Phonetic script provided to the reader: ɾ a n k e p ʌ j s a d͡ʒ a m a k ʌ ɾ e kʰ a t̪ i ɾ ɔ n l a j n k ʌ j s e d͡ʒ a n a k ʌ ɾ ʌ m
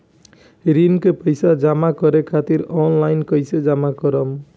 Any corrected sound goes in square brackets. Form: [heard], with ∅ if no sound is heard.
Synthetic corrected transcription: ɾ [i] n k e p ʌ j s a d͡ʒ a m a k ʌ ɾ e kʰ a t̪ i ɾ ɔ n l a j n k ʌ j s e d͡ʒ a [m] a k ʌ ɾ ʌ m